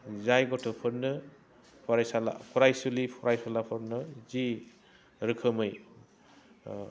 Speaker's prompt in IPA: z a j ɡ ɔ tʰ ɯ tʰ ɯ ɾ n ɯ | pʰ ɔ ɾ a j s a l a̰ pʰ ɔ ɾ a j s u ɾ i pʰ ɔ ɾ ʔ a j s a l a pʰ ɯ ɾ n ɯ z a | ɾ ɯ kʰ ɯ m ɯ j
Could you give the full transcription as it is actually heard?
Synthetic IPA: z a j ɡ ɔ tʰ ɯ pʰ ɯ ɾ n ɯ | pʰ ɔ ɾ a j s a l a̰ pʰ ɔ ɾ a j s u l i pʰ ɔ ɾ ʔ a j s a l a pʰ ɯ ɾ n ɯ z i | ɾ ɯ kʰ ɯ m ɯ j